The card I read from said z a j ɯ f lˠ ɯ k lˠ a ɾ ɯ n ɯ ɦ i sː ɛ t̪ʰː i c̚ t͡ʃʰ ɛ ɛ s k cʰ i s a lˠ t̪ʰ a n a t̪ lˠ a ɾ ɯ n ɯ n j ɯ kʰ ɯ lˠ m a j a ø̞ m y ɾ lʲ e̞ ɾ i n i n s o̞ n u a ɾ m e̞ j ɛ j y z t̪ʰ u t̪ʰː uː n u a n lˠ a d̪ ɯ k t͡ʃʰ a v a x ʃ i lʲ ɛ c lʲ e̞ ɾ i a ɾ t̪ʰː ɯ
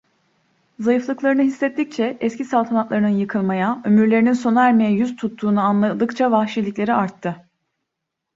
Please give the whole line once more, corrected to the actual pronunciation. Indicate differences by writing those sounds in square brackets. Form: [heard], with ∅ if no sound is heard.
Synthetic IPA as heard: z a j ɯ f lˠ ɯ k lˠ a ɾ ɯ n ɯ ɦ i sː ɛ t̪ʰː i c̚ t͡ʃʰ ɛ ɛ s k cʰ i s a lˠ t̪ʰ a n a t̪ lˠ a ɾ ɯ n ɯ n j ɯ kʰ ɯ lˠ m a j a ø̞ m y ɾ lʲ e̞ ɾ i n i n s o̞ n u [æ] ɾ m e̞ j ɛ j y z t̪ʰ u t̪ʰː uː n u a n lˠ a d̪ ɯ k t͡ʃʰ a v a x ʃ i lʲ [i] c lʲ e̞ ɾ i a ɾ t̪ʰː ɯ